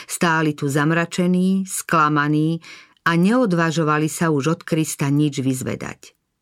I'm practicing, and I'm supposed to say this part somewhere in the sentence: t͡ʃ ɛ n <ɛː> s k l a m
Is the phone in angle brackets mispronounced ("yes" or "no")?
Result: yes